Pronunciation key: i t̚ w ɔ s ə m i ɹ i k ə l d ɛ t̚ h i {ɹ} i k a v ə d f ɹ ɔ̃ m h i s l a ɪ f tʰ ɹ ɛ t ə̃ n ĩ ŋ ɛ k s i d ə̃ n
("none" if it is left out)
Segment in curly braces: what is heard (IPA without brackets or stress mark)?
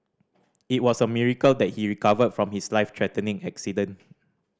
ɹ